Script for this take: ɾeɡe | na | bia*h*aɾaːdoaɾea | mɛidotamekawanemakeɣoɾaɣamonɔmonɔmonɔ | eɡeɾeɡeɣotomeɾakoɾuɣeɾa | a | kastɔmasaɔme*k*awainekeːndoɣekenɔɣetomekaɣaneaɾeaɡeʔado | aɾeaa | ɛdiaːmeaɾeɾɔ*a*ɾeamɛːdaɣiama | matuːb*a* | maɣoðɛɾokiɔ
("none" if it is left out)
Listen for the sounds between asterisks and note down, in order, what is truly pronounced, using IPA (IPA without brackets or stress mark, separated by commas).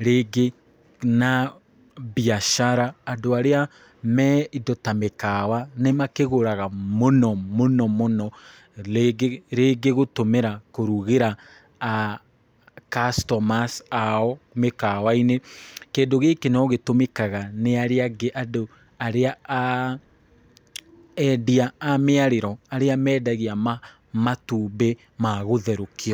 ʃ, k, a, e